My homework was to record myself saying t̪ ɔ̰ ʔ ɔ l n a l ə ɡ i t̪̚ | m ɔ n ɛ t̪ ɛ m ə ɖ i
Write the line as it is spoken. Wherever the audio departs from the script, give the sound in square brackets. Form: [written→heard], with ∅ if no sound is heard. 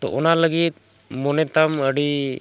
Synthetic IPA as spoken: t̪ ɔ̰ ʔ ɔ [l→∅] n a l ə ɡ i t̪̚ | m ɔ n ɛ t̪ [ɛ→a] m ə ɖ i